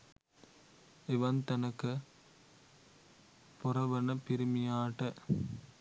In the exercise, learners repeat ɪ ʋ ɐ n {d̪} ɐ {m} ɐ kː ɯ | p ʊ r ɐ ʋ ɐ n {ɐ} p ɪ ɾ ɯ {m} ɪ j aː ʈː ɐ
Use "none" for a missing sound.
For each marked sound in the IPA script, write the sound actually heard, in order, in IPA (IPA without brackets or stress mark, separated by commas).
t̪, n, ɐ, m